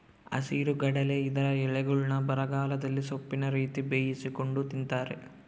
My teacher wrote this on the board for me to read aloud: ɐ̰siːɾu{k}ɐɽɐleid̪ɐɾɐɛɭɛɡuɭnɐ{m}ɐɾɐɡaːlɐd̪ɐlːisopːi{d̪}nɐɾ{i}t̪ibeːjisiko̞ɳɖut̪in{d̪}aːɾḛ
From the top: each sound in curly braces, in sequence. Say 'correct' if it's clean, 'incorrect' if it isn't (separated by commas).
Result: incorrect, incorrect, incorrect, incorrect, incorrect